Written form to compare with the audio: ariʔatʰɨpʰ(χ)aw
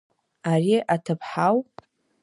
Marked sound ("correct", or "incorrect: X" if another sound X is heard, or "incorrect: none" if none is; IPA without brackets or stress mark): incorrect: ħ